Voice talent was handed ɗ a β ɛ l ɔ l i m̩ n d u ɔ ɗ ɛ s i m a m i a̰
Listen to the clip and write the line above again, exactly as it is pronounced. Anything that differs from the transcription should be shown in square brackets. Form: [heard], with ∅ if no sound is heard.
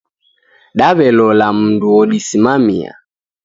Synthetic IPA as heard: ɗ a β ɛ l ɔ l [a] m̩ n d u ɔ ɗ [i] s i m a m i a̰